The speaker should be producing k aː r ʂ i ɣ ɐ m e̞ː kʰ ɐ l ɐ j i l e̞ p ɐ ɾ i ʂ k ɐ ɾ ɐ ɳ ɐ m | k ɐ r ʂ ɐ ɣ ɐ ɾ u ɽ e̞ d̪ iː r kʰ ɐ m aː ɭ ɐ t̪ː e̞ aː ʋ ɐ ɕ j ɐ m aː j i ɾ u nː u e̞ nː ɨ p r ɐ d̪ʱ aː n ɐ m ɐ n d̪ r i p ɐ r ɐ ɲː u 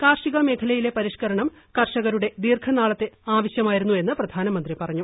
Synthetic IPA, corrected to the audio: k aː r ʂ i ɣ ɐ m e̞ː kʰ ɐ l ɐ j i l e̞ p ɐ ɾ i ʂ k ɐ ɾ ɐ ɳ ɐ m | k ɐ r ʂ ɐ ɣ ɐ ɾ u ɽ e̞ d̪ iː r kʰ ɐ n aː ɭ ɐ t̪ː e̞ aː ʋ ɐ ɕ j ɐ m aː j i ɾ u nː u e̞ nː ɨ p r ɐ d̪ʱ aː n ɐ m ɐ n d̪ r i p ɐ r ɐ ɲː u